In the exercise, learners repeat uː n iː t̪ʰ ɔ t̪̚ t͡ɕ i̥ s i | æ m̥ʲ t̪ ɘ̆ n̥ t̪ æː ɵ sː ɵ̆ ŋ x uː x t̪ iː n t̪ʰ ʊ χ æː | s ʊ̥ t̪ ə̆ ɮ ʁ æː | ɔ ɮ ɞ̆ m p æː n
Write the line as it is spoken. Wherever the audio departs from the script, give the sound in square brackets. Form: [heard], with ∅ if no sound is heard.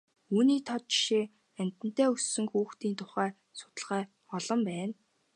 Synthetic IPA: uː n iː t̪ʰ ɔ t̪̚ t͡ɕ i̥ [ʃ] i | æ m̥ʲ t̪ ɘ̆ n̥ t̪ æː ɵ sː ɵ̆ ŋ x uː x t̪ iː n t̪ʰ ʊ χ æː | s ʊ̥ t̪ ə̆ ɮ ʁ æː | ɔ ɮ ɞ̆ m p æː n